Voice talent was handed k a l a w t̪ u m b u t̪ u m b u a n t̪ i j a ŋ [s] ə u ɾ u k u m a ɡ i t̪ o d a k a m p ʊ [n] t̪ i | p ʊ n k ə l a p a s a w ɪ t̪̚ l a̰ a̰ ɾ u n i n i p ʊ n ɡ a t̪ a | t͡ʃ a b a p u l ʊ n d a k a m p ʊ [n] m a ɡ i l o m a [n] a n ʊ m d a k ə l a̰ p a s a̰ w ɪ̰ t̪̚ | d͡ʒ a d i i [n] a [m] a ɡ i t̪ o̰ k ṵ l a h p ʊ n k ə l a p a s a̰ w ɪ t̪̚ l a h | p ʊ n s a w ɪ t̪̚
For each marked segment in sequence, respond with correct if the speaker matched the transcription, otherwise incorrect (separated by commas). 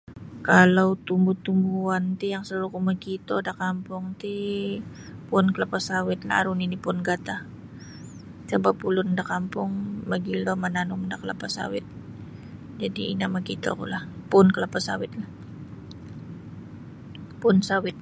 correct, incorrect, incorrect, correct, correct, correct